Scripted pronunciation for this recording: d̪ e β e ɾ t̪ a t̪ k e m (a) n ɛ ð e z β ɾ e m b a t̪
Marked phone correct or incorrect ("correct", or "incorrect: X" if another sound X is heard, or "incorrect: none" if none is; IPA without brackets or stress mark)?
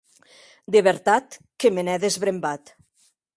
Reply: incorrect: e